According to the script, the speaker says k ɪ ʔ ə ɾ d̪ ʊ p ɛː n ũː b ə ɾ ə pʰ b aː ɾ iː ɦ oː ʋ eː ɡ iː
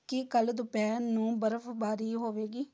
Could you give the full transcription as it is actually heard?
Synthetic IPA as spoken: k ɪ k ə l d̪ ʊ p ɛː n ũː b ə ɾ ə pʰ b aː ɾ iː ɦ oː ʋ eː ɡ iː